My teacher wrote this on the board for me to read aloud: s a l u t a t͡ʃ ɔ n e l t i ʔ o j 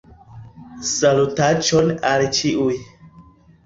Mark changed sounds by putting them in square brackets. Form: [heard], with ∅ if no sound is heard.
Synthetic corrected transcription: s a l u t a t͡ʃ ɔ n [a] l [t͡ʃ] i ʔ [u] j